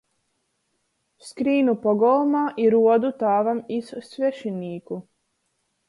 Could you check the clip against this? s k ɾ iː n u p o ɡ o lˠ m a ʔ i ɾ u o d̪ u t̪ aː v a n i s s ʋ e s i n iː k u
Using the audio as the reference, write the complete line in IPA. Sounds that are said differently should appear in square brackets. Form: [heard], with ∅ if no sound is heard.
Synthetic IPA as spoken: s k ɾ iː n u p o ɡ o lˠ m a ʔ i ɾ u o d̪ u t̪ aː [ʋ] a [m] i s s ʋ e [ʃ] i n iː k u